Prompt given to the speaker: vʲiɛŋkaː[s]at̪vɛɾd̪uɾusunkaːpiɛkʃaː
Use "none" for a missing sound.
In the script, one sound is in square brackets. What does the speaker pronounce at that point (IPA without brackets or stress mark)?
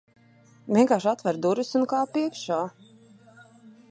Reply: ʃ